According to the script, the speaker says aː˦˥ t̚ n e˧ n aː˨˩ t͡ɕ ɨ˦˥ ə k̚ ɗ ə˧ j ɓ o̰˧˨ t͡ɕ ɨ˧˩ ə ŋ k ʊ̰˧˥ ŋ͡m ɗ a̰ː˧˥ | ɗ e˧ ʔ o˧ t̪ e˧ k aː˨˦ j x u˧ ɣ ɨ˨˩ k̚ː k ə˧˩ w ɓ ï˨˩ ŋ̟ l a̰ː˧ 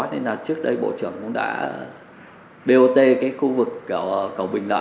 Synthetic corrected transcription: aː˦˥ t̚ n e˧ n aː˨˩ t͡ɕ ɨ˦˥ ə k̚ ɗ ə˧ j ɓ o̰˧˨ t͡ɕ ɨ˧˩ ə ŋ k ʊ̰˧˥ ŋ͡m ɗ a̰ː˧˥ | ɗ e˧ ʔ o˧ t̪ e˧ k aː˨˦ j x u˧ v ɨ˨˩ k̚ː k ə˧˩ w ɓ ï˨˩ ŋ̟ l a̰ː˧

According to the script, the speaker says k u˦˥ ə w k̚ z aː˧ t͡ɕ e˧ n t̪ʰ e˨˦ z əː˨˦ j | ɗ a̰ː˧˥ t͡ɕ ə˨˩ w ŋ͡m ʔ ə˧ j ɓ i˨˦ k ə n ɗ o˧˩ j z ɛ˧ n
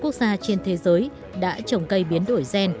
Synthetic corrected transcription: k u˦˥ ə k̚ z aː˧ t͡ɕ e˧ n t̪ʰ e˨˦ z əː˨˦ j | ɗ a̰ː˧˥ t͡ɕ ə˨˩ w ŋ͡m k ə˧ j ɓ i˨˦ ə n ɗ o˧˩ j z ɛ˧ n

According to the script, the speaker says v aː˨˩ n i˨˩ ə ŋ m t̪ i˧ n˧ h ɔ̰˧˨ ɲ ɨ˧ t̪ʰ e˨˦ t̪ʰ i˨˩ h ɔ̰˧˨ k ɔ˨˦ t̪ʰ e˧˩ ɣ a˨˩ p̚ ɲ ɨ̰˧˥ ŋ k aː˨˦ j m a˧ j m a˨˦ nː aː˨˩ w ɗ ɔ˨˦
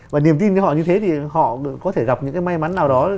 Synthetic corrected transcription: v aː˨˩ n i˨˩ ə m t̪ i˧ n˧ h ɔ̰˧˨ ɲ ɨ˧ t̪ʰ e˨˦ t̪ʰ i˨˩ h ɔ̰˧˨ k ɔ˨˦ t̪ʰ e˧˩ ɣ a˨˩ p̚ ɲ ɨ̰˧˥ ŋ k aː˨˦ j m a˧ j m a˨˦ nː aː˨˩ w ɗ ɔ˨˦

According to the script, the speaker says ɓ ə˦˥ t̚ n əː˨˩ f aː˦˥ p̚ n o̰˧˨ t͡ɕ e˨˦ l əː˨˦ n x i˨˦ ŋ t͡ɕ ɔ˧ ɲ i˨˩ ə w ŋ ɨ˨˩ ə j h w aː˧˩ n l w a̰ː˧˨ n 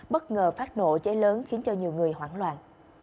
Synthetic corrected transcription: ɓ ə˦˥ t̚ ŋ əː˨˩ f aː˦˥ t̚ n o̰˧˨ t͡ɕ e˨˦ l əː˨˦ n x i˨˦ n t͡ɕ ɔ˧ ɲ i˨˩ ə w ŋ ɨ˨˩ ə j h w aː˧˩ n l w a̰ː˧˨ n

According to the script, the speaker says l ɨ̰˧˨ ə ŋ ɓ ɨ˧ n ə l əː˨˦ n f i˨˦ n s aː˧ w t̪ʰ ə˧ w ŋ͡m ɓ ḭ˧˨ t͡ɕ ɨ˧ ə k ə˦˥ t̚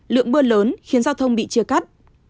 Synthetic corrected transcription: l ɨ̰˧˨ ə ŋ ɓ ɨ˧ ə l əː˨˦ n x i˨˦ n z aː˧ w t̪ʰ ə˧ w ŋ͡m ɓ ḭ˧˨ t͡ɕ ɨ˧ ə k a˦˥ t̚

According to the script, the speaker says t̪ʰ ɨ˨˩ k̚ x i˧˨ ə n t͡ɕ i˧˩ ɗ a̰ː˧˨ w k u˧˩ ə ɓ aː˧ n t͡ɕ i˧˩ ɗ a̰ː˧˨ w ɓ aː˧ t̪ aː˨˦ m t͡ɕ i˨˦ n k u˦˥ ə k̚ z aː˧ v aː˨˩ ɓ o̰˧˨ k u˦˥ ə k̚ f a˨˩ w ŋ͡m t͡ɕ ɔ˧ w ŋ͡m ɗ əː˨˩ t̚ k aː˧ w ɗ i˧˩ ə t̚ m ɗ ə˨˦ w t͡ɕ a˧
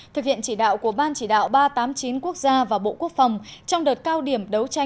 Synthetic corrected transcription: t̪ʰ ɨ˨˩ k̚ h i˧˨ ə n t͡ɕ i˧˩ ɗ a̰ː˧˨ w k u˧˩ ə ɓ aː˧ n t͡ɕ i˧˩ ɗ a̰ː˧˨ w ɓ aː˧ t̪ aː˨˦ m t͡ɕ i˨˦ n k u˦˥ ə k̚ z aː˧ v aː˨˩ ɓ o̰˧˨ k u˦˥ ə k̚ f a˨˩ w ŋ͡m t͡ɕ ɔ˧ w ŋ͡m ɗ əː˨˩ t̚ k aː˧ w ɗ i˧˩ ə m ɗ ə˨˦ w t͡ɕ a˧

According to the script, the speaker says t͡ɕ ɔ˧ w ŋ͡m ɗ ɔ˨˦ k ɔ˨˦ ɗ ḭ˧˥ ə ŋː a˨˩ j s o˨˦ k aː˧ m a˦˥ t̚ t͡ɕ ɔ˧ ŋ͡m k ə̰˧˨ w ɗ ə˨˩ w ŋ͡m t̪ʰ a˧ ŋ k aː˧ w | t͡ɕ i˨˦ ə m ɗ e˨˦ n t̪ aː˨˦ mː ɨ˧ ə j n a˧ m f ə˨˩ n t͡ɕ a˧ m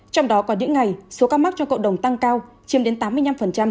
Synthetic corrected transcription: t͡ɕ ɔ˧ w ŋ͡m ɗ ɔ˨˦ k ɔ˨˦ ɗ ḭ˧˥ ə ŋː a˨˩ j s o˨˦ k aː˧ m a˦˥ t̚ t͡ɕ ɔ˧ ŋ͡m k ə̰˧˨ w ɗ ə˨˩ w ŋ͡m t̪ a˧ ŋ k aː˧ w | t͡ɕ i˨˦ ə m ɗ e˨˦ n t̪ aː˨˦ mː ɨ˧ ə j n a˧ m f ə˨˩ n t͡ɕ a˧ m

